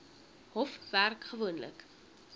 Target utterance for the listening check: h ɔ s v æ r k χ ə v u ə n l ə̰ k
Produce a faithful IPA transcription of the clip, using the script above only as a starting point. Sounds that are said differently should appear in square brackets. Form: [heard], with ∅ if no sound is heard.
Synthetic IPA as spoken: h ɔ [f] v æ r k χ ə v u ə n l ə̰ k